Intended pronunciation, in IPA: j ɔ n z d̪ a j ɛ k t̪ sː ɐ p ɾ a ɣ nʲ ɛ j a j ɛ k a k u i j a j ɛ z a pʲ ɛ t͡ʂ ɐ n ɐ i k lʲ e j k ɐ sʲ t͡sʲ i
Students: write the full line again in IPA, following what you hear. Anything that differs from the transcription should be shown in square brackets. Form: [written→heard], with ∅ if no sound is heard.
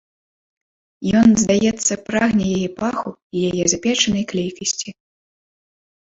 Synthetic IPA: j ɔ n z d̪ a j ɛ [k→∅] t̪ sː ɐ p ɾ a ɣ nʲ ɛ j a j ɛ [k→p] a [k→x] u i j a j ɛ z a pʲ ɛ t͡ʂ ɐ n ɐ [i→j] k lʲ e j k ɐ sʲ t͡sʲ i